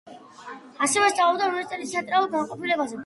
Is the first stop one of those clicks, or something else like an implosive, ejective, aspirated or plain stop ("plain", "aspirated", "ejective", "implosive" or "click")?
plain